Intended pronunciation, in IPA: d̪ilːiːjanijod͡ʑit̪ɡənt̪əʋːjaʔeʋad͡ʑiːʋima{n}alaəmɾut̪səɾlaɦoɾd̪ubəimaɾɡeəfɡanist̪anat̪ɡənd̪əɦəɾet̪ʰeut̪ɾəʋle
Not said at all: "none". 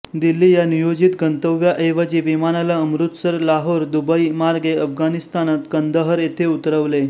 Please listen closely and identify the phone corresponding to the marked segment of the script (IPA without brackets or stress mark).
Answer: n